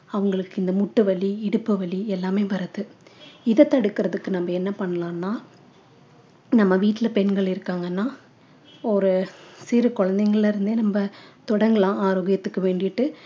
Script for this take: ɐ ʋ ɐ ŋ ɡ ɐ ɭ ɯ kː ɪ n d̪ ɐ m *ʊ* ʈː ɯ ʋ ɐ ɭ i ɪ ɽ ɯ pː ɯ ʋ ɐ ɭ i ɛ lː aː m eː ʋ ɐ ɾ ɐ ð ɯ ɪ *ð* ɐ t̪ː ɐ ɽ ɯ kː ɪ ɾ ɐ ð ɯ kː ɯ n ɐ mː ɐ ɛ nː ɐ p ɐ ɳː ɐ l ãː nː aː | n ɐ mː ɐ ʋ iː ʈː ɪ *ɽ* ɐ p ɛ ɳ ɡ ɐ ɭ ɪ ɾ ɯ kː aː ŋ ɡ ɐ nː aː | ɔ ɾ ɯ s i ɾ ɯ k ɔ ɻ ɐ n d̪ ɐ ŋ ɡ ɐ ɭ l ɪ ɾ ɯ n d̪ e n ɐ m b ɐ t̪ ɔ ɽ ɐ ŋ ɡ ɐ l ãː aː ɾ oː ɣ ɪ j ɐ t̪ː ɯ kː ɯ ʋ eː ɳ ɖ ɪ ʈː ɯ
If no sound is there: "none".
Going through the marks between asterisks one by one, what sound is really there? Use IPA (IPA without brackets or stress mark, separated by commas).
ʊ, ð, l